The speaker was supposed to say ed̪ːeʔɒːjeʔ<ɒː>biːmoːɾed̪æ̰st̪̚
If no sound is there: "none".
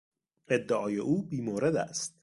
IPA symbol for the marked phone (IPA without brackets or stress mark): uː